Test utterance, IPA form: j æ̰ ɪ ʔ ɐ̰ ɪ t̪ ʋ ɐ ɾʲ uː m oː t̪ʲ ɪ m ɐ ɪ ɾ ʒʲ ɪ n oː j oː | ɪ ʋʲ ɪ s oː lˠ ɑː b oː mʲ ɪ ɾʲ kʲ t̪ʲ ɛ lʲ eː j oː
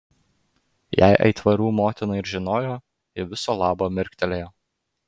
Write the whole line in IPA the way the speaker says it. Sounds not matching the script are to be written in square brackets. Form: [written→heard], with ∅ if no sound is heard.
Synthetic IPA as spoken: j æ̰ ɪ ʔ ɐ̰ ɪ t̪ ʋ ɐ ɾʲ uː m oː t̪ʲ ɪ [m→n] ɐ ɪ ɾ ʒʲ ɪ n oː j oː | ɪ ʋʲ ɪ s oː lˠ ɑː b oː mʲ ɪ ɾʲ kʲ t̪ʲ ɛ lʲ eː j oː